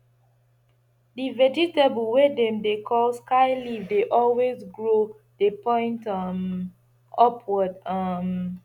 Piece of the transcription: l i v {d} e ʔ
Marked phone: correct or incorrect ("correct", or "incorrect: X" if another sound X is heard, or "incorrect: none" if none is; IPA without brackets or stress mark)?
correct